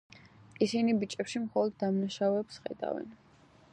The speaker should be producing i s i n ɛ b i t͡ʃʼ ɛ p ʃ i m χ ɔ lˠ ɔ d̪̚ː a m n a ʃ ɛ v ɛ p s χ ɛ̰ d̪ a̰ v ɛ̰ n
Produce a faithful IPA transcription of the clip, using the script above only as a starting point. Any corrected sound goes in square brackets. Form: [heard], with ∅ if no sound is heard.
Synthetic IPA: i s i n [i] b i t͡ʃʼ ɛ p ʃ i m χ ɔ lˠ ɔ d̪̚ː a m n a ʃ [a] v ɛ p s χ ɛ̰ d̪ a̰ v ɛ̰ n